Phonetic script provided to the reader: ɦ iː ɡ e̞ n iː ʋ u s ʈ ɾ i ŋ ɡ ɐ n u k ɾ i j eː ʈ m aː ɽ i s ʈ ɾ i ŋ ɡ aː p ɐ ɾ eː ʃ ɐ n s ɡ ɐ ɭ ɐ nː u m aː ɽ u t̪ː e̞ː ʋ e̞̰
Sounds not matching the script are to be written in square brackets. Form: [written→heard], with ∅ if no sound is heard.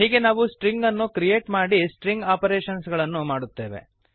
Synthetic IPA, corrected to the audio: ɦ iː ɡ e̞ n [iː→aː] ʋ u s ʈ ɾ i ŋ ɡ ɐ [n→nː] u k ɾ i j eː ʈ m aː ɽ i s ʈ ɾ i ŋ ɡ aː p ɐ ɾ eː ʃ ɐ n s ɡ ɐ ɭ ɐ nː u m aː ɽ u t̪ː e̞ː ʋ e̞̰